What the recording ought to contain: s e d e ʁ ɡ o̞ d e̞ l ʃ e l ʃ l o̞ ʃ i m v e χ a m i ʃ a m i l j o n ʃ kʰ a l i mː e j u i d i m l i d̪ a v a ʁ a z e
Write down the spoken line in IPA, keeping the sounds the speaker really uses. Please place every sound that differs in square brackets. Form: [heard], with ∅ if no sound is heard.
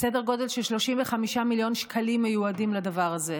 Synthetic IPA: s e d e ʁ ɡ o̞ d e̞ l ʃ e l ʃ l o̞ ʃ i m v e χ a m i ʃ a m i l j o n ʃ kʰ a l i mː e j u [a] d i m l [a] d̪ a v a ʁ a z e